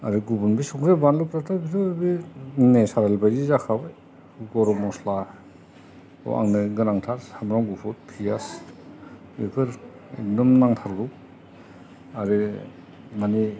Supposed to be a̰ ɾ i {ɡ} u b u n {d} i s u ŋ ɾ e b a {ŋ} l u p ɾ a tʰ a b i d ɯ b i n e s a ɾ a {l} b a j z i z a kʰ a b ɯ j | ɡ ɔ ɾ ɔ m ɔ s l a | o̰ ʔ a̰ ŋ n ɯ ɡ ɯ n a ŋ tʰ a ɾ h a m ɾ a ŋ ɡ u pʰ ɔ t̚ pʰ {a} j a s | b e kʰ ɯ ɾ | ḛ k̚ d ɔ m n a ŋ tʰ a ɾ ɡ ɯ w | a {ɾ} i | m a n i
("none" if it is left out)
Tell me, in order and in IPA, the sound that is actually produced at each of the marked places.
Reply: ɡ, b, n, l, i, ɾ

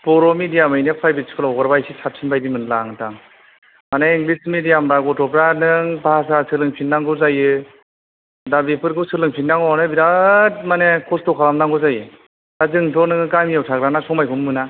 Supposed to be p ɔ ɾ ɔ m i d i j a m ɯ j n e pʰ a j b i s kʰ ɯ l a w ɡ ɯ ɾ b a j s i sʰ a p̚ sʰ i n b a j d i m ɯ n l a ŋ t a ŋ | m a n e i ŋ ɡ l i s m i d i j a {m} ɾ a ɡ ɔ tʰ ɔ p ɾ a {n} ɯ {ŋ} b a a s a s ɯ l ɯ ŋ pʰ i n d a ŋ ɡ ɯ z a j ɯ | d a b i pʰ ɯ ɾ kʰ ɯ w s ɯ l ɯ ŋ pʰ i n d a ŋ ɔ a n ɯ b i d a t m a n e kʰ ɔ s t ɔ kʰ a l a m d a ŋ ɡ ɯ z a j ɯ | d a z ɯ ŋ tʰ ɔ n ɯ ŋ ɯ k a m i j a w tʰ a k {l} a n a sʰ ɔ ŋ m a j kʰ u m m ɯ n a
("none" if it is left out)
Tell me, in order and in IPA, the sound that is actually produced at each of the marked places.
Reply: m, n, ŋ, ɾ

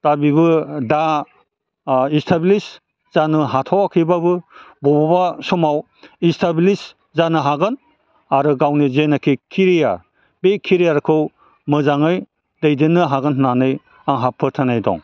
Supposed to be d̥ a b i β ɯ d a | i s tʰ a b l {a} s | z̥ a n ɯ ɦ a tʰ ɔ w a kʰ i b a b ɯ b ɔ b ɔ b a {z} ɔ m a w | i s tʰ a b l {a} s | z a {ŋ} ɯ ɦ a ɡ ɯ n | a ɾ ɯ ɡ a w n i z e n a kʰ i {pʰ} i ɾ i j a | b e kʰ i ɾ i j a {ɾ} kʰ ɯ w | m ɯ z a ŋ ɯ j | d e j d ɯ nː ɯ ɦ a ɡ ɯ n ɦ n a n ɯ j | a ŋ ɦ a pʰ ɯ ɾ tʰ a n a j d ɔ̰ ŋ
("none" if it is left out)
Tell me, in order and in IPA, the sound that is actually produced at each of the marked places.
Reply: i, s, i, n, kʰ, ɾ

